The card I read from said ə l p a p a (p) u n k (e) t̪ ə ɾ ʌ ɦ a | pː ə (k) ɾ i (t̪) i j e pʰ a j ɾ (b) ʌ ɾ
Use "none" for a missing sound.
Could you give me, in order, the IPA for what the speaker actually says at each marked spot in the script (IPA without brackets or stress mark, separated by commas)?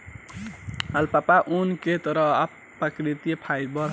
ʔ, e, k, t̪, b